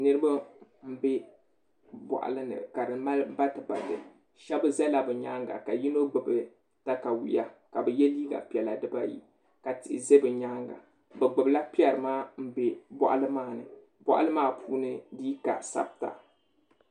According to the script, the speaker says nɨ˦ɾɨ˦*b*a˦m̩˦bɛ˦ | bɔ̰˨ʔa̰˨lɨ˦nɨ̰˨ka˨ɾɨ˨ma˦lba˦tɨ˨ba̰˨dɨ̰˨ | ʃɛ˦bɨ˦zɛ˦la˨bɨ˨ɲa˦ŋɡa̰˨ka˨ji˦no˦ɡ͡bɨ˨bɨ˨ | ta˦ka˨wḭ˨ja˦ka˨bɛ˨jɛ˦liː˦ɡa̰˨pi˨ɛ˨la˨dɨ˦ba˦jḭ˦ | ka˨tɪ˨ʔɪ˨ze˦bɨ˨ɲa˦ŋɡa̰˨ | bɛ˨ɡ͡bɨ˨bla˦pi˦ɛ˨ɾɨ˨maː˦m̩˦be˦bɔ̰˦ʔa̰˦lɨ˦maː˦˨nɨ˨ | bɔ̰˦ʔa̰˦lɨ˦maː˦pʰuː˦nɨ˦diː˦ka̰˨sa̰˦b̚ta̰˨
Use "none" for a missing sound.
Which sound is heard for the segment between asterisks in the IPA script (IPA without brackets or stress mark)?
b